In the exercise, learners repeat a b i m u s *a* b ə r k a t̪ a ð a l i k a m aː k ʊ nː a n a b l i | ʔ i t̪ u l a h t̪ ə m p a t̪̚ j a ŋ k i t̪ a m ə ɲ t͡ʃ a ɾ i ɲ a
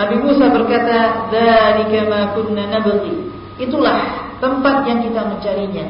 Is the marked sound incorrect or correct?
correct